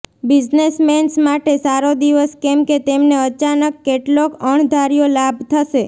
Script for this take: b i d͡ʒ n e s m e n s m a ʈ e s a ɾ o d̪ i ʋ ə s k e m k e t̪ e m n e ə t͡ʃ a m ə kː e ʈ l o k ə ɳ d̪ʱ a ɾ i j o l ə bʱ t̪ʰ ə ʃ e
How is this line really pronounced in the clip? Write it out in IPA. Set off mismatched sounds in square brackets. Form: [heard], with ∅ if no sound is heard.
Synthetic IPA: b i d͡ʒ n e s m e n s m a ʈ e s a ɾ o d̪ i ʋ ə s k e m k e t̪ e m n e ə t͡ʃ a [n] ə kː e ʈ l o k ə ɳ d̪ʱ a ɾ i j o l [a] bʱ t̪ʰ ə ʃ e